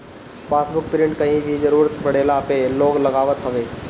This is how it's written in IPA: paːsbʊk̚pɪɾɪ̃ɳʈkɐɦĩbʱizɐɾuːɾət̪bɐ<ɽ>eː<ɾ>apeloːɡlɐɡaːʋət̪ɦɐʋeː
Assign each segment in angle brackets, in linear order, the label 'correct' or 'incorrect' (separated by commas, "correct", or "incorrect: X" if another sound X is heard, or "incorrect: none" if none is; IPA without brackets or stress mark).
correct, incorrect: l